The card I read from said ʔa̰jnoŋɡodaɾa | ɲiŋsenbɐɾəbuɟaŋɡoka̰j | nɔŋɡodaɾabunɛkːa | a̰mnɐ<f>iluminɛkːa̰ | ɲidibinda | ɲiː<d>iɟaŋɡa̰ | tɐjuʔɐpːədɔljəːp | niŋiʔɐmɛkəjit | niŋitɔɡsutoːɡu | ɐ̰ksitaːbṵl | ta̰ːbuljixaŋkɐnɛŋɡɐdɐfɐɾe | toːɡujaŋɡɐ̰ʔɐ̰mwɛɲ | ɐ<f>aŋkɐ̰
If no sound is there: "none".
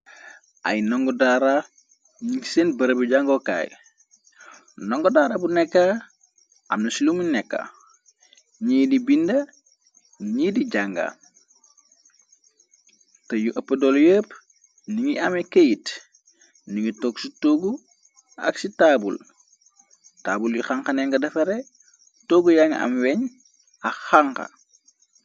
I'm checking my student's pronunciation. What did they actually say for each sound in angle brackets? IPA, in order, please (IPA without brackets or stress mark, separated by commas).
s, d, x